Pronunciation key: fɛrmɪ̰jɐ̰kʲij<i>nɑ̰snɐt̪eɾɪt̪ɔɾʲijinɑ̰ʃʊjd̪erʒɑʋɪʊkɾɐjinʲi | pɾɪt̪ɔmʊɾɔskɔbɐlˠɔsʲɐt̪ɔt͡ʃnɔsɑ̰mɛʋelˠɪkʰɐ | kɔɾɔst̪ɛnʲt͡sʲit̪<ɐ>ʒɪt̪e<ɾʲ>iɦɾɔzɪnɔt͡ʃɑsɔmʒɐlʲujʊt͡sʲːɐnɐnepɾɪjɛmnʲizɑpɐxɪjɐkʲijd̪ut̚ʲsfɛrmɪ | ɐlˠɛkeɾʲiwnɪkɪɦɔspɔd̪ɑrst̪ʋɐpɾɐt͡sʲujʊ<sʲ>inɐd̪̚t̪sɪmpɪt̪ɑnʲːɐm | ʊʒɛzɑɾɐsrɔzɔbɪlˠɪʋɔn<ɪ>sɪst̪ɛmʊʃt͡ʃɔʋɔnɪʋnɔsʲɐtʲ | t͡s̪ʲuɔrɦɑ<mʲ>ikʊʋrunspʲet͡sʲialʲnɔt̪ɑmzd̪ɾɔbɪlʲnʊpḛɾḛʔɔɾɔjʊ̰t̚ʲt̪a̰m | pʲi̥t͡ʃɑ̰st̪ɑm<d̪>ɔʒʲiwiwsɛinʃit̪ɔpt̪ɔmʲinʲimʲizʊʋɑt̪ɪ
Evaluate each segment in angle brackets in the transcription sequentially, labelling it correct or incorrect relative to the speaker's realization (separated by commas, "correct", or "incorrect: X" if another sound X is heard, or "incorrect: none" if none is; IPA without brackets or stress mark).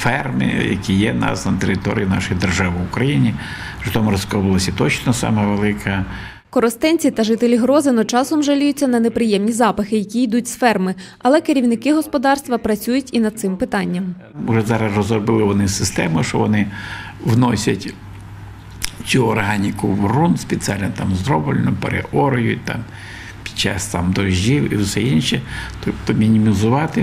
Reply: incorrect: ɛ, correct, incorrect: lʲ, incorrect: tʲ, correct, incorrect: nʲ, correct